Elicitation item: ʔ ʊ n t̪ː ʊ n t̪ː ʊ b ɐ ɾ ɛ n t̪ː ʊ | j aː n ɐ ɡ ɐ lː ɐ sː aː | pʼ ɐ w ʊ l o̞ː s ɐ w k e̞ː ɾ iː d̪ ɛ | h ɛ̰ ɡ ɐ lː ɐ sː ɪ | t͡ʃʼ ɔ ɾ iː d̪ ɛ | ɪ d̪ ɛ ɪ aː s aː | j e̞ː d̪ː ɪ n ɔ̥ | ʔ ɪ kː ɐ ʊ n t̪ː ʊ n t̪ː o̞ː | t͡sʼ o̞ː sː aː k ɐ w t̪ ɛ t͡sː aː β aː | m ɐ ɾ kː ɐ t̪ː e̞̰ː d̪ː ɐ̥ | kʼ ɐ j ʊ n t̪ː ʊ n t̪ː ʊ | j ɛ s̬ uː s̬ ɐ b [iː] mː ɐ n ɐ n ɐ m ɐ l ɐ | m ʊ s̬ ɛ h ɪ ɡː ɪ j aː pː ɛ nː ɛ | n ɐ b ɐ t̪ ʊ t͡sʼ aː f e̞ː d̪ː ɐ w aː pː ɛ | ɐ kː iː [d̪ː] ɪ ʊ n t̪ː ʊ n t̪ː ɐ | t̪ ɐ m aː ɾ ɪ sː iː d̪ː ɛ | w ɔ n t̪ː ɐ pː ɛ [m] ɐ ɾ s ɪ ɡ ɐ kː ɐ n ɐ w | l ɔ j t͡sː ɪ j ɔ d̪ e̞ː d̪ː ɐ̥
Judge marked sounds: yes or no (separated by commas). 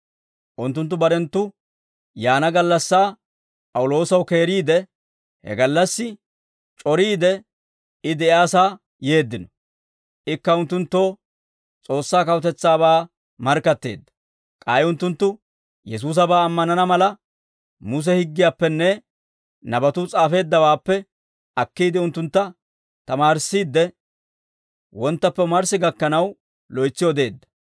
no, no, yes